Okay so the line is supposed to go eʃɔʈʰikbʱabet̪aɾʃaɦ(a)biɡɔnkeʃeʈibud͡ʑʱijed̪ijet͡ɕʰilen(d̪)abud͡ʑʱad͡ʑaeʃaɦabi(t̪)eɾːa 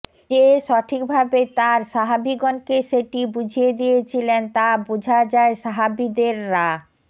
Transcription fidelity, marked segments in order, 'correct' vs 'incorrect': correct, incorrect, incorrect

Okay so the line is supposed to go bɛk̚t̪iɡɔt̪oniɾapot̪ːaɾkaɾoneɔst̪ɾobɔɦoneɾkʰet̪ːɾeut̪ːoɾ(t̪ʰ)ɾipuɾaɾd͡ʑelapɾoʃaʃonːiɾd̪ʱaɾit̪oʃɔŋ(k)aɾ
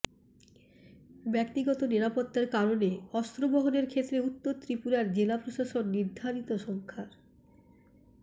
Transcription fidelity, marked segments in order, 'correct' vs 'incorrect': incorrect, incorrect

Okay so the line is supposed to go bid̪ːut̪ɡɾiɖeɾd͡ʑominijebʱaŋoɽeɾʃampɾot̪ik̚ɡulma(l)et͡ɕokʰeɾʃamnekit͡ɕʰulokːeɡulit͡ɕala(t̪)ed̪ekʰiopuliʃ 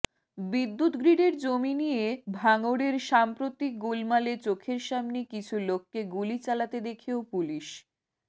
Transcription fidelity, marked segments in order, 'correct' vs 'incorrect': correct, correct

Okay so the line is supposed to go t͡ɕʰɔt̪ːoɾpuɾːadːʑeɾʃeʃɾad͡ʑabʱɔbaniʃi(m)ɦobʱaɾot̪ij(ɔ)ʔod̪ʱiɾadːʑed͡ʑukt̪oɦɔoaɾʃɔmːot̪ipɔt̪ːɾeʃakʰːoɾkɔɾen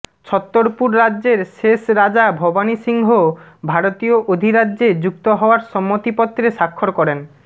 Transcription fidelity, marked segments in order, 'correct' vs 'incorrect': incorrect, incorrect

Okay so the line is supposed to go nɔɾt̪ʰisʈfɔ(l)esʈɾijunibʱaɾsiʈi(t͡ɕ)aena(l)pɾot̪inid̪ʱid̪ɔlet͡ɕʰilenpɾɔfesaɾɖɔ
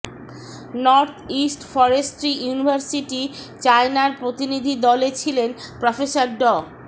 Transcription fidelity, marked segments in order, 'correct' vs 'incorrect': incorrect, correct, incorrect

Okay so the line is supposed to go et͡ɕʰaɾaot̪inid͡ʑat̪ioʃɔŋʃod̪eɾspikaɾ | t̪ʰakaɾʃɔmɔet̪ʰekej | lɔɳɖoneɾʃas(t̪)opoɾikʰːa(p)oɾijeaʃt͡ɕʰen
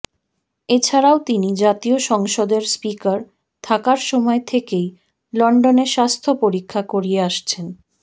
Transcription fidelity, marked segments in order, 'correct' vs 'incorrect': incorrect, incorrect

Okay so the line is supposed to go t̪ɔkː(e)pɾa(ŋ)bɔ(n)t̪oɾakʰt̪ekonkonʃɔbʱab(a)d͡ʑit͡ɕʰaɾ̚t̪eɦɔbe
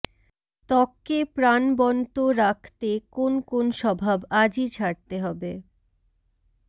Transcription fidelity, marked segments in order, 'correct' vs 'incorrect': correct, incorrect, correct, correct

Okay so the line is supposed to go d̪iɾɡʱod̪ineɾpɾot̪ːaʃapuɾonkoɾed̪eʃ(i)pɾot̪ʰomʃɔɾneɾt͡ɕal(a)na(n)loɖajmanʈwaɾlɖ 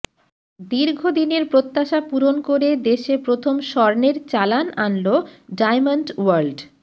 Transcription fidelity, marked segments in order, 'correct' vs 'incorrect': incorrect, correct, correct

